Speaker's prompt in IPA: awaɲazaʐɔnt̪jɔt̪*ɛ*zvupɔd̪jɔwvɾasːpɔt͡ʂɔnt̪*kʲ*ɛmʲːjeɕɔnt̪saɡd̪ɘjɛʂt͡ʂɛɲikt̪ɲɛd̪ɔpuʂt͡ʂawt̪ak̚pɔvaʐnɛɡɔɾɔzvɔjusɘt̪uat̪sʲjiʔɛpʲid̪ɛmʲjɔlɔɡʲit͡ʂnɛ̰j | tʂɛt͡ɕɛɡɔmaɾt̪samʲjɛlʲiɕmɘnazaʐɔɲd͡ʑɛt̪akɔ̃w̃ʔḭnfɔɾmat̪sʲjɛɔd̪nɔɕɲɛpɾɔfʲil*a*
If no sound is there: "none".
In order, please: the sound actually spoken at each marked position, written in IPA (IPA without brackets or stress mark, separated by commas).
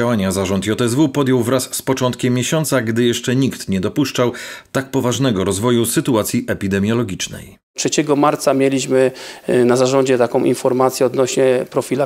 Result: ɛ, kʲ, a